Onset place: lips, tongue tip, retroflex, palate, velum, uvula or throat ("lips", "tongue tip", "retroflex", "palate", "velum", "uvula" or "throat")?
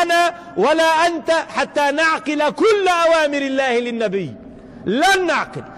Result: tongue tip